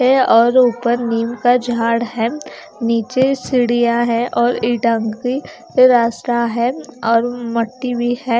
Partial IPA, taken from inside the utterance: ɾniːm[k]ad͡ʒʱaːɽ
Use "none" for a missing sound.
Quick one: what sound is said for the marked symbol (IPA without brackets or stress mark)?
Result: k